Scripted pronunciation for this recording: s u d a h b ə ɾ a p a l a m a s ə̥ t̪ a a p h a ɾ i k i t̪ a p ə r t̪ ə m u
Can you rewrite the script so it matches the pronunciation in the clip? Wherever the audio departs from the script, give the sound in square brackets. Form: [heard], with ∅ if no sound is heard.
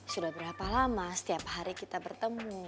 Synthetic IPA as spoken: s u d a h b ə ɾ a p a l a m a s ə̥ t̪ [i] a p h a ɾ i k i t̪ a [b] ə r t̪ ə m u

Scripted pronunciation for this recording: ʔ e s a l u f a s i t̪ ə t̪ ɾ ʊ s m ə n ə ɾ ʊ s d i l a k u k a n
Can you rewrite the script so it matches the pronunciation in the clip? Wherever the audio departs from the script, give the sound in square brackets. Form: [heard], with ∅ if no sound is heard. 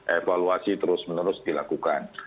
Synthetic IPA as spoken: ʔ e [f] a l u [∅] a s i t̪ ə [∅] ɾ ʊ s m ə n ə ɾ ʊ s d i l a k u k a n

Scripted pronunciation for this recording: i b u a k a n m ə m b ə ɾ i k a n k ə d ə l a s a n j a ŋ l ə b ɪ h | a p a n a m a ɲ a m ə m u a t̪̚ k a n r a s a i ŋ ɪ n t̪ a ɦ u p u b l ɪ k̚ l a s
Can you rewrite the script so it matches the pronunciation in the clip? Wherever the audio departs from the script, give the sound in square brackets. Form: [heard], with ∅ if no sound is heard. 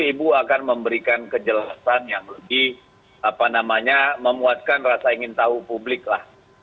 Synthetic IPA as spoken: i b u a k a n m ə m b ə ɾ i k a n k ə [d͡ʒ] ə l a s a n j a ŋ l ə b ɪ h | a p a n a m a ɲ a m ə m u a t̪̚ k a n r a s a i ŋ ɪ n t̪ a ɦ u p u b l ɪ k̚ l a [h]

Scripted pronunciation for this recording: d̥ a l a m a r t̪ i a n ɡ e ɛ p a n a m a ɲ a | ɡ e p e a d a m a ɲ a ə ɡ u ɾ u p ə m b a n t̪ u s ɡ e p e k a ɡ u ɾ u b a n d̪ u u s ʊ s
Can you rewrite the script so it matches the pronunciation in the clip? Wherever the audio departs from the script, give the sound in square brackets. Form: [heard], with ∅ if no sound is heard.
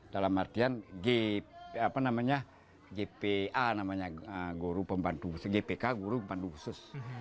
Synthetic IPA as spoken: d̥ a l a m a r t̪ i a n ɡ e [a] p a n a m a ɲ a | ɡ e p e a [n] a m a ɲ a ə ɡ u ɾ u p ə m b a n t̪ u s ɡ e p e k a ɡ u ɾ u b a n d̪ u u s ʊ s

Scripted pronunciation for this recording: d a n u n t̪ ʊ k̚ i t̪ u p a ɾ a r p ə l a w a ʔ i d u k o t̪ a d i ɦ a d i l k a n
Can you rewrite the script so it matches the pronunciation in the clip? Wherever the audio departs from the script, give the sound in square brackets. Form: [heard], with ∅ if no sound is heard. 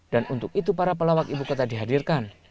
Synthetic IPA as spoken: d a n u n t̪ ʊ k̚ i t̪ u p a ɾ a [∅] p ə l a w a [k] i [b] u k o t̪ a d i ɦ a d i [r] k a n

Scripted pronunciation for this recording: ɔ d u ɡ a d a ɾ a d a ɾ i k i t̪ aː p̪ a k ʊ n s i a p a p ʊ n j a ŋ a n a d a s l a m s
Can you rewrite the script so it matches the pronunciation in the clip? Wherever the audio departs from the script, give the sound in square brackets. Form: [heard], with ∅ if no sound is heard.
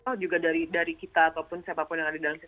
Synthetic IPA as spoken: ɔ [d͡ʒ] u ɡ a d a ɾ [i] d a ɾ i k i t̪ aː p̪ a [p] ʊ n s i a p a p ʊ n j a ŋ a [d] a d a [∅] l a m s

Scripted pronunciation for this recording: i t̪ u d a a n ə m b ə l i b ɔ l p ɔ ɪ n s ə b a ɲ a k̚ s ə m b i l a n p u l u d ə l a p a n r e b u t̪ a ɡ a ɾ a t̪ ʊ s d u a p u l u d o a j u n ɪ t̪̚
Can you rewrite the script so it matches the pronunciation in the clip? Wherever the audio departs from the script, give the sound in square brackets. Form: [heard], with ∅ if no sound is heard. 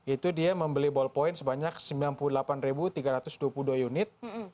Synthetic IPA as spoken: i t̪ u d [i] a [m] ə m b ə l i b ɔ l p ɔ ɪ n s ə b a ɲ a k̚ s ə m b i l a n p u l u d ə l a p a n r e b u t̪ [i] ɡ a ɾ a t̪ ʊ s d u a p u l u d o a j u n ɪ t̪̚

